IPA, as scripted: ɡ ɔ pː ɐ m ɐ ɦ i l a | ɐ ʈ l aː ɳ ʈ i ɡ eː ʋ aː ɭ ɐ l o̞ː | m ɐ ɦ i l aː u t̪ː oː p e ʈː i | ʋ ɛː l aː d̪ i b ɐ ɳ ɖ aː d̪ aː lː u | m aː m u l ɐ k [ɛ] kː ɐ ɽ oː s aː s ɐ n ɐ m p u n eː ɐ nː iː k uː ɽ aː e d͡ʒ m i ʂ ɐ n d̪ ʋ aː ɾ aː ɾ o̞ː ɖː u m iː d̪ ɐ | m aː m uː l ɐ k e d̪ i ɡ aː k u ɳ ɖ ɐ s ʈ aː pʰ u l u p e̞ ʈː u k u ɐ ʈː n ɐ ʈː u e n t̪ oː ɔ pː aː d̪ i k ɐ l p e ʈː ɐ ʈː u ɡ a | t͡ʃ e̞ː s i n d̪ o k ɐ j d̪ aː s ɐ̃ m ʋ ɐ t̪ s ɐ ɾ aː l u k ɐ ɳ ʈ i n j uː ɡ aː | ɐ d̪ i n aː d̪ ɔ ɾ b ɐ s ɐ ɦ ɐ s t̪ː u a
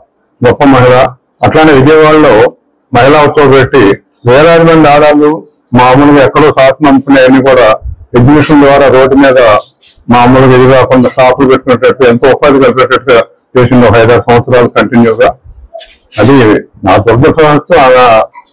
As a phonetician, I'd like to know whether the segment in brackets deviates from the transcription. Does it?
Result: no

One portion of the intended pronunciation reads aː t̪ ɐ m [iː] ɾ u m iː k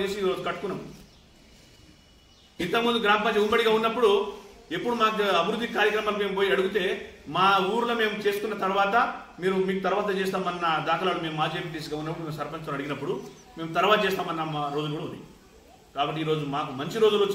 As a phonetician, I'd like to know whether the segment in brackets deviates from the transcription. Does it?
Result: no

